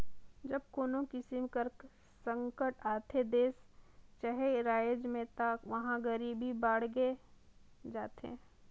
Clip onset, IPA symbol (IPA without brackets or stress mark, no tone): d͡ʒ